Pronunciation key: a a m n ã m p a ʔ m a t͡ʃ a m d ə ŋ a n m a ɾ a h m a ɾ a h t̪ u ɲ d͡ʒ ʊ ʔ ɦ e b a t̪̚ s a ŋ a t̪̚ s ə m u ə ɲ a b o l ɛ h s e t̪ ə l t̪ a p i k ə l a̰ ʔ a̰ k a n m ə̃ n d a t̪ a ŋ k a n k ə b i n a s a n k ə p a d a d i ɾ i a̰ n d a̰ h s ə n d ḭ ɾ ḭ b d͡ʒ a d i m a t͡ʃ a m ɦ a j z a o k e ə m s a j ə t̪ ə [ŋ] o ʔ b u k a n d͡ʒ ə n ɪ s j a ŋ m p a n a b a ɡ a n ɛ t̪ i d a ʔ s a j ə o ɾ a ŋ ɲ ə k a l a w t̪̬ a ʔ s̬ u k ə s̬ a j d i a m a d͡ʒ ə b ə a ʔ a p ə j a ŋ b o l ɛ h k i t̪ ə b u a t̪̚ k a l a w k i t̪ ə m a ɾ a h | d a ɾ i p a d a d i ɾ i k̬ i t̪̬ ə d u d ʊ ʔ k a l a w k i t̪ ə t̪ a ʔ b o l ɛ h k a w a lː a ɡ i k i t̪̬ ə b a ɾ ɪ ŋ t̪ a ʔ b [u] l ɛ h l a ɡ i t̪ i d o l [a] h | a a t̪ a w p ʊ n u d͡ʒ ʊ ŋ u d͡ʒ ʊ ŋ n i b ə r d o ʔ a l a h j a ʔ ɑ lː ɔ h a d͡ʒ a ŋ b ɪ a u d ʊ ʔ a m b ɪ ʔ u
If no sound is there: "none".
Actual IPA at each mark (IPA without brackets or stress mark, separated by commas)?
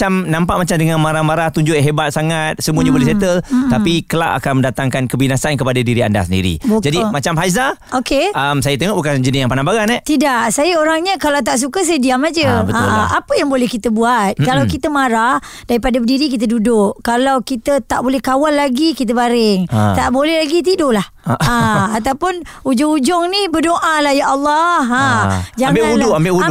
ŋ, o, a